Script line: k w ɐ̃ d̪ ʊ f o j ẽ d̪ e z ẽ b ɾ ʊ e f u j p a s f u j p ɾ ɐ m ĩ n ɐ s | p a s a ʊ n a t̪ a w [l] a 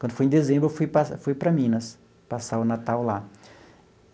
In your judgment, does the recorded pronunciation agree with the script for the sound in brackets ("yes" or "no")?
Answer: yes